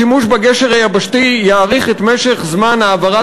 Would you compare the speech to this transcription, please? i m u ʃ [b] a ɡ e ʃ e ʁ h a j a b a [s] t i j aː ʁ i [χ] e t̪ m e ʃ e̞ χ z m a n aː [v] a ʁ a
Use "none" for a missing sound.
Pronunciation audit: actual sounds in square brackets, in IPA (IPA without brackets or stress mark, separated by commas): b, ʃ, χ, v